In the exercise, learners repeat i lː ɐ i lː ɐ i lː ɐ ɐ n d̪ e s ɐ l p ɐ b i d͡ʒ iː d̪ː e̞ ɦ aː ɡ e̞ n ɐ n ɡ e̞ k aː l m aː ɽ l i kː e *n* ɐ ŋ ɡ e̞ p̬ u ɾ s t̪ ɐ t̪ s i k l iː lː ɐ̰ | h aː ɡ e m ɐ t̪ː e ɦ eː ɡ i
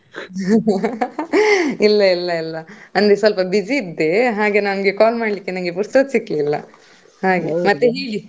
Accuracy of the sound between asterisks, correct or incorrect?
correct